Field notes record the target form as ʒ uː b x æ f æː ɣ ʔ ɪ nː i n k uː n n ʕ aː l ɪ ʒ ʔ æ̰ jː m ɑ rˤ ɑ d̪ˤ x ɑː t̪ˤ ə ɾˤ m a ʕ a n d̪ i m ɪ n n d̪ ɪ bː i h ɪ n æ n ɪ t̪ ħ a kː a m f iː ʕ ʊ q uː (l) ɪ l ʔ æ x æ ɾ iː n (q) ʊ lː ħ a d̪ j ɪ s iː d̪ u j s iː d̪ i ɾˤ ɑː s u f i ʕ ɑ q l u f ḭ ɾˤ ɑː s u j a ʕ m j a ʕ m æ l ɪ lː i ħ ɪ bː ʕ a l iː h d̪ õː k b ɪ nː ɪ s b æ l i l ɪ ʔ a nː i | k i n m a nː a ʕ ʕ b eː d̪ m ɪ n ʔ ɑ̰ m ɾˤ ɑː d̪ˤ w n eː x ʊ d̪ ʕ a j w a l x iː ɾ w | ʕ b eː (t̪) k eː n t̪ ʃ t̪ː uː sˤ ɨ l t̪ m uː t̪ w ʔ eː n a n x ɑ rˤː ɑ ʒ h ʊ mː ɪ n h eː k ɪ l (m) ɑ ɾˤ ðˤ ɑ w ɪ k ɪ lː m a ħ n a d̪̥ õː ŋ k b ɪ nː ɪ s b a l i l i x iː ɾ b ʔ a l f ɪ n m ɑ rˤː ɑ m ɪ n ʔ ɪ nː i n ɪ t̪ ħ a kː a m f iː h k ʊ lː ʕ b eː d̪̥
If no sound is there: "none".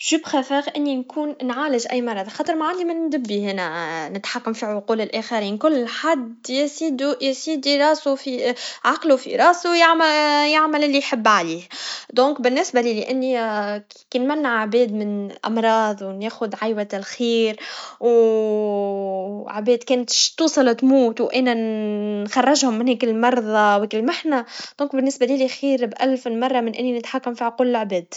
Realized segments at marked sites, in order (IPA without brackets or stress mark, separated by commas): l, k, d̪, m